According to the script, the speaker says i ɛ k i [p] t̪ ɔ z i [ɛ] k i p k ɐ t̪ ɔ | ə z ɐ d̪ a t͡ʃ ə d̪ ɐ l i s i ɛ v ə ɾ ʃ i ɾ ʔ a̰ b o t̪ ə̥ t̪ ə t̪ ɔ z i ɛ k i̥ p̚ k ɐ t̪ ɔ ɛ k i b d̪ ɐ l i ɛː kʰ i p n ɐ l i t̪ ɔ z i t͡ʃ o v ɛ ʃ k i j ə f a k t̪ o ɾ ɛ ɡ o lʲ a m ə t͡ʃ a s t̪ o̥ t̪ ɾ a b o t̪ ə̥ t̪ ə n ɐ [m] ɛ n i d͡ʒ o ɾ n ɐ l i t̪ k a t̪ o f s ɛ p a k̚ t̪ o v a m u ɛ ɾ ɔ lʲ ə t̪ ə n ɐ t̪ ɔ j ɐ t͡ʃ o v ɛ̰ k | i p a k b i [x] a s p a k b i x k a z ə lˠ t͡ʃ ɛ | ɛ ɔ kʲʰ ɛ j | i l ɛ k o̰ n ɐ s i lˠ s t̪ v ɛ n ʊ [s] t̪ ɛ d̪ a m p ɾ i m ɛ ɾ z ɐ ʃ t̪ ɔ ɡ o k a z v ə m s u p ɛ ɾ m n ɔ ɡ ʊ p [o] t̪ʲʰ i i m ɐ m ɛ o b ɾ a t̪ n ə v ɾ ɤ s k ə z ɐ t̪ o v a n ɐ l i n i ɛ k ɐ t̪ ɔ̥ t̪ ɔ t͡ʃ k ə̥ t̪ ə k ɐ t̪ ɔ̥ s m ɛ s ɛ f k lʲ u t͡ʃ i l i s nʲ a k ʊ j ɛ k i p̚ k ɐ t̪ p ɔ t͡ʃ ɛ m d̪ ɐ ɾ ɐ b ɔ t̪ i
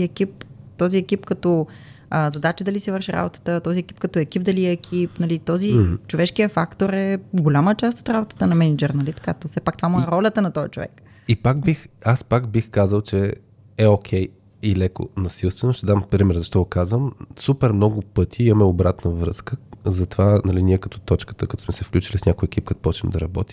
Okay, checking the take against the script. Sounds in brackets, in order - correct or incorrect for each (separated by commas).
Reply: correct, correct, correct, correct, incorrect, incorrect